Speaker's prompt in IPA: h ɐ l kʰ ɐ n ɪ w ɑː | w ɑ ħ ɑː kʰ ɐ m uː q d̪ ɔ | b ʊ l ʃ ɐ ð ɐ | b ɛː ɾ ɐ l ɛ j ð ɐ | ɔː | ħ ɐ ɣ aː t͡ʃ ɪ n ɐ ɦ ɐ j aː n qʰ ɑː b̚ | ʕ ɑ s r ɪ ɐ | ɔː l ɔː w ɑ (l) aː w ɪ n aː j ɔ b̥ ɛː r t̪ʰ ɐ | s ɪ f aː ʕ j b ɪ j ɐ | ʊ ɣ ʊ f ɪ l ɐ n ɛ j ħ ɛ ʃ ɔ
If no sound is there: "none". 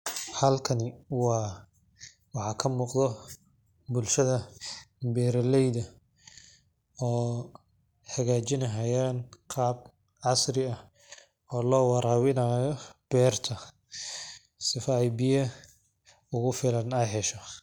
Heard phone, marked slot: ɾ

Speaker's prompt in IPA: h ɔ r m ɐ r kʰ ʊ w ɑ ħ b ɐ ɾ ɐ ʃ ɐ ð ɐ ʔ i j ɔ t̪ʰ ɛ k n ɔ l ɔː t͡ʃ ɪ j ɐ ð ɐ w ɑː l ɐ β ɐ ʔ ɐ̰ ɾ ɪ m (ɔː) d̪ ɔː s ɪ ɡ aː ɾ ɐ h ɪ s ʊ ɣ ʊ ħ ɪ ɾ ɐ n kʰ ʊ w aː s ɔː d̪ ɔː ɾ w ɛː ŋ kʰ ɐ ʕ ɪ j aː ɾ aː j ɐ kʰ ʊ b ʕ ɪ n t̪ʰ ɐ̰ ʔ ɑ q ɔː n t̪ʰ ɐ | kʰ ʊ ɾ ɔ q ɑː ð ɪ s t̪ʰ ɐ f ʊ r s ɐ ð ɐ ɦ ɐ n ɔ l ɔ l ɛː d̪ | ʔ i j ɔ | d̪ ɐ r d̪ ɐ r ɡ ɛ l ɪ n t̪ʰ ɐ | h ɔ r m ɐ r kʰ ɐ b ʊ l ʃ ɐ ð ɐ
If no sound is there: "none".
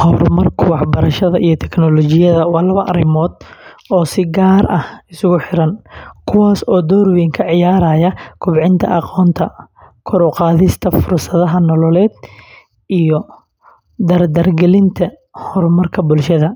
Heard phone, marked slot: ɔː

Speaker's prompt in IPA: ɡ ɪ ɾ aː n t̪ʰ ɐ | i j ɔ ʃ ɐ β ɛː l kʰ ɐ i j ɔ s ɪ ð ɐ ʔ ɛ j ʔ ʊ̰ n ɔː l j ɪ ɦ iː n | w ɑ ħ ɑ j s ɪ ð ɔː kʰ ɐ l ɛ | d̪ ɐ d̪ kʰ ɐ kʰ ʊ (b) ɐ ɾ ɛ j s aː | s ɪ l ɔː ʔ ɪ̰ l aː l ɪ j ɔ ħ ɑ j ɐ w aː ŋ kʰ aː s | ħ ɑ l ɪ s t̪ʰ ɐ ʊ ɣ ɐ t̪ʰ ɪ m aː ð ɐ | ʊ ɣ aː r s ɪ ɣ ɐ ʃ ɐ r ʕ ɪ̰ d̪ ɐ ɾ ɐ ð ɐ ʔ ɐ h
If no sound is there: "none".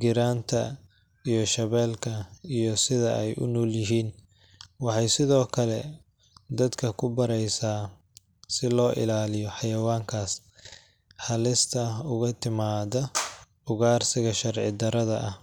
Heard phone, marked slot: b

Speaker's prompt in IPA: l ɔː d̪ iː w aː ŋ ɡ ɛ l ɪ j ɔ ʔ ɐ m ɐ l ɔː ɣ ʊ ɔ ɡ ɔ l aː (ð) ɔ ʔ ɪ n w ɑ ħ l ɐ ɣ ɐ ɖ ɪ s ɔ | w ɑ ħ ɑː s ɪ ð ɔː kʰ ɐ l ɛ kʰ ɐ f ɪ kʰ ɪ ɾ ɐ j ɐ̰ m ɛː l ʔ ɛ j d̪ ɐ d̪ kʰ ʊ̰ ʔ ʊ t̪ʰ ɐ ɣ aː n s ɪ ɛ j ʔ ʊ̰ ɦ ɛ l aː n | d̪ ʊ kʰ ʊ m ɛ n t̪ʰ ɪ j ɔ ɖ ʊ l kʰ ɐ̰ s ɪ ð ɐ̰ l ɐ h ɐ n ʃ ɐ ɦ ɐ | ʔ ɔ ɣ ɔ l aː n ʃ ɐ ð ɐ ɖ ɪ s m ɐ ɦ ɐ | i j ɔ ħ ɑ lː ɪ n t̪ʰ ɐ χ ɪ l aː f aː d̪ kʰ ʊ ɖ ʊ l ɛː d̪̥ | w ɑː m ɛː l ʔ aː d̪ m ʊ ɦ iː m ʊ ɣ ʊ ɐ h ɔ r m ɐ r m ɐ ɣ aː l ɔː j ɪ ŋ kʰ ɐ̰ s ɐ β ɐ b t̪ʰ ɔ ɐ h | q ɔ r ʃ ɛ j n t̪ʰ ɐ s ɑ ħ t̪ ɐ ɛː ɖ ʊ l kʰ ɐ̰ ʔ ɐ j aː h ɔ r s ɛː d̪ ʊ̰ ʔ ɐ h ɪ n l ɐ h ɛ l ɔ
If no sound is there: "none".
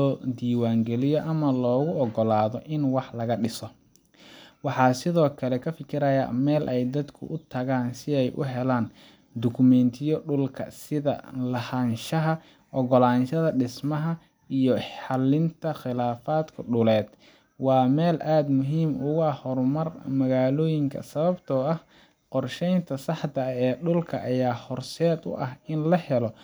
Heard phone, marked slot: ð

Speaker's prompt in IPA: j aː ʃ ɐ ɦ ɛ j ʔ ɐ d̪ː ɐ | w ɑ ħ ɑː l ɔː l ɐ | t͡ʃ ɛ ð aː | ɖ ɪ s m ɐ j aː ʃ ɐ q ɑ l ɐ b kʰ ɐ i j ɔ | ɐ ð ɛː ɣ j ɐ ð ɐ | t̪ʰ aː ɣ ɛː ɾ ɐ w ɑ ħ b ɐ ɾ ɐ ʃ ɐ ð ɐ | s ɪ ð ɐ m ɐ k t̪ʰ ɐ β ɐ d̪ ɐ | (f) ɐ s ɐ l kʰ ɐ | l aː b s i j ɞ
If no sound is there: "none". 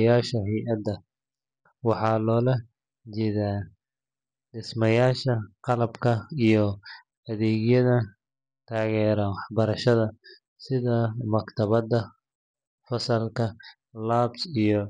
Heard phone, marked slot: f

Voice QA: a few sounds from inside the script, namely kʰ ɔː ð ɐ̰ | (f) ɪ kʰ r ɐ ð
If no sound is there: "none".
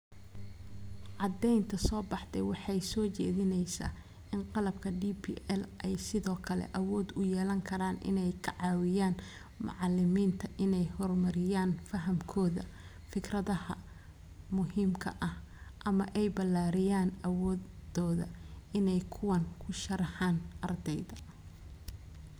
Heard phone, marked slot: f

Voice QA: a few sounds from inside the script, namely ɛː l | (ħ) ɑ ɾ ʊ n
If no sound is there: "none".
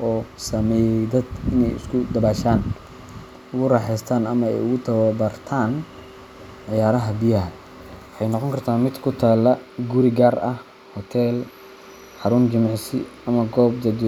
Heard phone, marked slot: ħ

